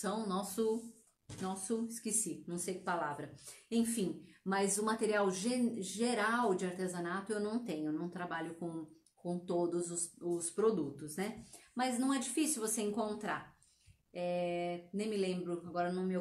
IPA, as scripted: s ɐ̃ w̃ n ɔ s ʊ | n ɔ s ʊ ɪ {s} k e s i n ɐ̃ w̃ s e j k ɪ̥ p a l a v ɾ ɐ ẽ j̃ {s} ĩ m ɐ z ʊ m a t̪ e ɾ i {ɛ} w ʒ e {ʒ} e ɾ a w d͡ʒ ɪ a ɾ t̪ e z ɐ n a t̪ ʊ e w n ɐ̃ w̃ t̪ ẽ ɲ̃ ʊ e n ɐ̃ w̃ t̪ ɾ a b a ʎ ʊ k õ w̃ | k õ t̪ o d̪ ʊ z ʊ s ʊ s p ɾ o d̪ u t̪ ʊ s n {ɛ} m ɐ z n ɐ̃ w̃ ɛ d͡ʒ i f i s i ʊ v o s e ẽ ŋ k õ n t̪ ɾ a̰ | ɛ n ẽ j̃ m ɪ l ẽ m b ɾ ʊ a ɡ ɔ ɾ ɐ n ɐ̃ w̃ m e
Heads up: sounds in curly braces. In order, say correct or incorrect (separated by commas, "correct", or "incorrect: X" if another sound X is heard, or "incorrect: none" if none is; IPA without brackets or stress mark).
correct, incorrect: f, incorrect: a, correct, correct